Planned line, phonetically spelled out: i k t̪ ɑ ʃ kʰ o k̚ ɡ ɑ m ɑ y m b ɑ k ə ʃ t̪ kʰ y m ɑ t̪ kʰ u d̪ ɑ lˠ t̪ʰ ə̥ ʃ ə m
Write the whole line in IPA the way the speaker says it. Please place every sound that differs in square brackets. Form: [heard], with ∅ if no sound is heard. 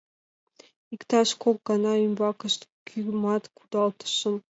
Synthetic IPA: i k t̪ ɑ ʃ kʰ o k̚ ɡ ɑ [n] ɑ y m b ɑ k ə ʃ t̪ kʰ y m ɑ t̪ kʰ u d̪ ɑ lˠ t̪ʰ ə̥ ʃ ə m